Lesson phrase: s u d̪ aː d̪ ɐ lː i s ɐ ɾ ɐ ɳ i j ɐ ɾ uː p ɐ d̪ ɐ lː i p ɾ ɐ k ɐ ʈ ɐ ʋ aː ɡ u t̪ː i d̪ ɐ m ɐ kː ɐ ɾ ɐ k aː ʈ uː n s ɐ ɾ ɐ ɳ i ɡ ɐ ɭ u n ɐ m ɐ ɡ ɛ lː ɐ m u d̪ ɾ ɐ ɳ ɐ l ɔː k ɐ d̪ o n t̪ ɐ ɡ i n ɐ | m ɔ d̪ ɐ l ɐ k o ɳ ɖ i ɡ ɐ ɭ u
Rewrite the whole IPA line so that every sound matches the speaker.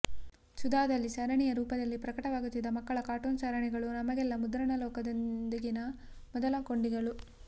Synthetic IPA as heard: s u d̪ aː d̪ ɐ lː i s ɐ ɾ ɐ ɳ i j ɐ ɾ uː p ɐ d̪ ɐ lː i p ɾ ɐ k ɐ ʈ ɐ ʋ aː ɡ u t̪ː i d̪ ɐ m ɐ kː ɐ ɭ ɐ k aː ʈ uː n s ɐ ɾ ɐ ɳ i ɡ ɐ ɭ u n ɐ m ɐ ɡ ɛ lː ɐ m u d̪ ɾ ɐ ɳ ɐ l ɔː k ɐ d̪ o n d̪ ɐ ɡ i n ɐ | m ɔ d̪ ɐ l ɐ k o ɳ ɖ i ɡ ɐ ɭ u